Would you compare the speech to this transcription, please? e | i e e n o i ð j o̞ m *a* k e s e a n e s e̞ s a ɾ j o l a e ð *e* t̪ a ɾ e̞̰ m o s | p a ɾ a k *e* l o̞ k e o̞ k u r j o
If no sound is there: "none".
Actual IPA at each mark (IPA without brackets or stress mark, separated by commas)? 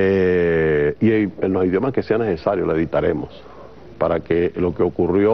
a, i, e